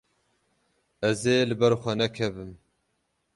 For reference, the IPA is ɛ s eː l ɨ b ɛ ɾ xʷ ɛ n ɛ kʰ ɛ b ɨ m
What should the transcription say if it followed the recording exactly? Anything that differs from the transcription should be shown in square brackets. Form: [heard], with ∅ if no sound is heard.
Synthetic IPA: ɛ [z] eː l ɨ b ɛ ɾ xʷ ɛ n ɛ kʰ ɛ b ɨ m